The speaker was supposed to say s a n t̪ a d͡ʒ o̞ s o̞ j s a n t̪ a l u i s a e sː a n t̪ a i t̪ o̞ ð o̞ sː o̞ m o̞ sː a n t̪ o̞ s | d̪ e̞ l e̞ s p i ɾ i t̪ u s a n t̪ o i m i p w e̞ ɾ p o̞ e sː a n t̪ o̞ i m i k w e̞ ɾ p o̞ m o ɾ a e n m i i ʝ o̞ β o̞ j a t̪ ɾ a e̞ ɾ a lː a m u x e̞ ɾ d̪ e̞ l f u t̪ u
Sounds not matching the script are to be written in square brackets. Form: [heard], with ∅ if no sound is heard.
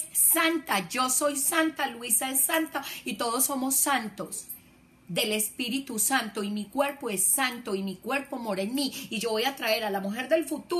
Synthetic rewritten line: s a n t̪ a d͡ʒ o̞ s o̞ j s a n t̪ a l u i s a e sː a n t̪ a i t̪ o̞ ð o̞ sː o̞ m o̞ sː a n t̪ o̞ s | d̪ e̞ l e̞ s p i ɾ i t̪ u s a n t̪ o i m i [k] w e̞ ɾ p o̞ e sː a n t̪ o̞ i m i k w e̞ ɾ p o̞ m o ɾ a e n m i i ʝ o̞ β o̞ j a t̪ ɾ a e̞ ɾ a [l] a m u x e̞ ɾ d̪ e̞ l f u t̪ u